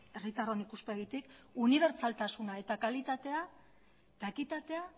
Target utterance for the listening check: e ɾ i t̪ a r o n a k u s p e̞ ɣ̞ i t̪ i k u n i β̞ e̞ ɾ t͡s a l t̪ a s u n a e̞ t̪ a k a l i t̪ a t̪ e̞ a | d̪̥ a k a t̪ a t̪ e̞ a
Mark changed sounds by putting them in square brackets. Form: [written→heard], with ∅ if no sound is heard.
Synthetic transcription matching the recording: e [ɾ→r] i t̪ a r o n [a→i] k u s p e̞ ɣ̞ i t̪ i k u n i β̞ e̞ ɾ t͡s a l t̪ a s u n a e̞ t̪ a k a l i t̪ a t̪ e̞ a | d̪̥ a k [a→i] t̪ a t̪ e̞ a